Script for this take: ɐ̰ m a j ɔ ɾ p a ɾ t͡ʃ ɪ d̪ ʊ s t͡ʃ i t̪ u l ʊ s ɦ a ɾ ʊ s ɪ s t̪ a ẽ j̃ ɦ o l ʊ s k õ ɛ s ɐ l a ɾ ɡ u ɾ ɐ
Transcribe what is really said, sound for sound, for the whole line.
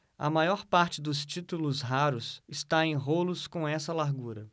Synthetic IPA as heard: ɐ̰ m a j ɔ ɾ p a ɾ t͡ʃ ɪ d̪ ʊ s t͡ʃ i t̪ u l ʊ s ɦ a ɾ ʊ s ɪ s t̪ a ẽ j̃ ɦ o l ʊ s k õ ɛ s ɐ l a ɾ ɡ u ɾ ɐ

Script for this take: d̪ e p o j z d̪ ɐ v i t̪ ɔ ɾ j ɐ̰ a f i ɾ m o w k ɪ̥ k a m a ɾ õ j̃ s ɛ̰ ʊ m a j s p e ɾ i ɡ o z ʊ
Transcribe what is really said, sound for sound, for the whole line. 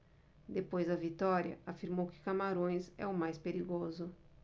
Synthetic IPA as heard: d̪ e p o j z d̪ ɐ v i t̪ ɔ ɾ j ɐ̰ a f i ɾ m o w k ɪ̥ k a m a ɾ õ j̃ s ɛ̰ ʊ m a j s p e ɾ i ɡ o z ʊ

